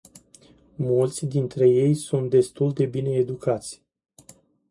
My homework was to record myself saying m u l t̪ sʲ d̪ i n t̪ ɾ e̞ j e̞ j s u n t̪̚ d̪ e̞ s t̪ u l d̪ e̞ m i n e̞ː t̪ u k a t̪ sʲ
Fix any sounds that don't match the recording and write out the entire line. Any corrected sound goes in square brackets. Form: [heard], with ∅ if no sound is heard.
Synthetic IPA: m u l t̪ sʲ d̪ i n t̪ ɾ e̞ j e̞ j s u n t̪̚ d̪ e̞ s t̪ u l d̪ e̞ [b] i n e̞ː [d̪] u k a t̪ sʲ